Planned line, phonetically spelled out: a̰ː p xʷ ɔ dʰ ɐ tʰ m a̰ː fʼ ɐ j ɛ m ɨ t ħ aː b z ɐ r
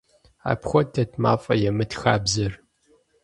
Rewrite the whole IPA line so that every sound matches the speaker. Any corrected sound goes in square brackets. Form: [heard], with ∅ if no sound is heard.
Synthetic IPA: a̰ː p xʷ ɔ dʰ ɐ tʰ m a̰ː fʼ ɐ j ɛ m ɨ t [x] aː b z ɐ r